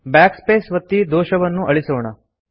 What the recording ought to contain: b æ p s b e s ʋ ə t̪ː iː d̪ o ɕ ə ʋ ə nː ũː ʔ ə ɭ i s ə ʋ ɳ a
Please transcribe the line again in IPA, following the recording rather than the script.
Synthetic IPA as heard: b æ k s p e s ʋ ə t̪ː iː d̪ o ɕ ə ʋ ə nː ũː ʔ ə ɭ i s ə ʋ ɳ a

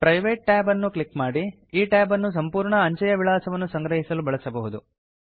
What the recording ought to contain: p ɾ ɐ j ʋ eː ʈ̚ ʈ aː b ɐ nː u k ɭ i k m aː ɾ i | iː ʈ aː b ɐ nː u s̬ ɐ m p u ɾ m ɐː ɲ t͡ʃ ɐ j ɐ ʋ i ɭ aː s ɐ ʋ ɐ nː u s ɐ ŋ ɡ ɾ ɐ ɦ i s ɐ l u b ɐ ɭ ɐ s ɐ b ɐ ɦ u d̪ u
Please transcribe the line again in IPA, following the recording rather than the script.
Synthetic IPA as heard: p ɾ ɐ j ʋ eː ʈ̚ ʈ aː b ɐ nː u k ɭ i k m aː ɽ i | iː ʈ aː b ɐ nː u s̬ ɐ m p uː ɾ ɳ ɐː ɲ t͡ʃ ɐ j ɐ ʋ i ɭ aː s ɐ ʋ ɐ nː u s ɐ ŋ ɡ ɾ ɐ ɦ i s ɐ l u b ɐ ɭ ɐ s ɐ b ɐ ɦ u d̪ u

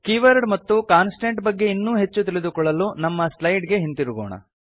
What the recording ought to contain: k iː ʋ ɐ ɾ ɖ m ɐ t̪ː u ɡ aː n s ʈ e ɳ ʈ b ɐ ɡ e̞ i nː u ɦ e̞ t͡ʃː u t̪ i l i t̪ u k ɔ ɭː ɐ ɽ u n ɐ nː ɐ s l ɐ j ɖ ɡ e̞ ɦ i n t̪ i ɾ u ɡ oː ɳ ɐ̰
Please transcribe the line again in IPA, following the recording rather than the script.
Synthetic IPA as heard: k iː ʋ ɐ ɾ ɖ m ɐ t̪ː u k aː n s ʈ e ɳ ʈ b ɐ ɡː e̞ i nː uː ɦ e̞ t͡ʃː u t̪ i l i d̪ u k ɔ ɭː ɐ l u n ɐ mː ɐ s l ɐ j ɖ ɡ e̞ ɦ i n t̪ i ɾ u ɡ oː ɳ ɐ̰

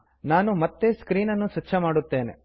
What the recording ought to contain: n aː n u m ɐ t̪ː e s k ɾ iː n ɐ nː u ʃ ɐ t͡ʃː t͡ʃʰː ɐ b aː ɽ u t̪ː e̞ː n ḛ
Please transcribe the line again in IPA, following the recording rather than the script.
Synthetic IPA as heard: n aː n u m ɐ t̪ː e s k ɾ iː n ɐ nː u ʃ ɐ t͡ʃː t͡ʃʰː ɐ m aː ɽ u t̪ː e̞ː n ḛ

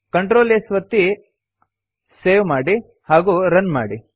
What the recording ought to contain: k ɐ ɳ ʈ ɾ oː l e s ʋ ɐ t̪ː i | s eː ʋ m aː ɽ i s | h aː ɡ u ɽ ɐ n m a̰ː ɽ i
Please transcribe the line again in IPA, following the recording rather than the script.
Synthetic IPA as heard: k ɐ ɳ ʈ ɾ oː l e s ʋ ɐ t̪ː i | s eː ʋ m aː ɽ i | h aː ɡ u ɾ ɐ n m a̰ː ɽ i

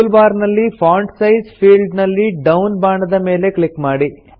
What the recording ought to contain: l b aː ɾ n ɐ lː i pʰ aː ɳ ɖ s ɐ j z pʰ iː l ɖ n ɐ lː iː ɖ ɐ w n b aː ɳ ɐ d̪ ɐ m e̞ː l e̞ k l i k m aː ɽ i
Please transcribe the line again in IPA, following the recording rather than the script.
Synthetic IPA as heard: l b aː ɾ n ɐ lː i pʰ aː ɳ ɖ s ɐ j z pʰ iː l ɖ n ɐ lː i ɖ ɐ w n b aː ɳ ɐ d̪ ɐ m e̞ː l e̞ k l i k m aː ɽ i

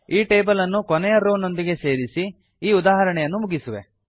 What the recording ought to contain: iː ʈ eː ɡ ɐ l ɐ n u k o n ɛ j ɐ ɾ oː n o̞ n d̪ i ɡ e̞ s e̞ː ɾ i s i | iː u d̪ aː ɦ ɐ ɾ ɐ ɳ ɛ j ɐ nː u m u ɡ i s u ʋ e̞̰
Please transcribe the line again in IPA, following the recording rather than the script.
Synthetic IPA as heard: iː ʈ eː b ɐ l ɐ nː u k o n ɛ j ɐ ɾ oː n o̞ n d̪ i ɡ e̞ s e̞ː ɾ i s i | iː u d̪ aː ɦ ɐ ɾ ɐ ɳ ɛ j ɐ nː u m u ɡ i s u ʋ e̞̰

